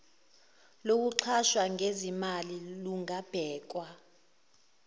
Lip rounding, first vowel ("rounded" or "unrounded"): rounded